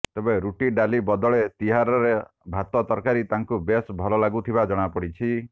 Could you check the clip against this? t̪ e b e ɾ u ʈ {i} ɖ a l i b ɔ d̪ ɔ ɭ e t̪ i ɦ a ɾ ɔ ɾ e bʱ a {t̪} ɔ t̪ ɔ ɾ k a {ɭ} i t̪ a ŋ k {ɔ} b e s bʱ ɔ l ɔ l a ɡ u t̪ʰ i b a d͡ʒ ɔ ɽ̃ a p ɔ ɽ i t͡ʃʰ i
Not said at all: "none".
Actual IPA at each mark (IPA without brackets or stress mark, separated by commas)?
i, t̪, ɾ, u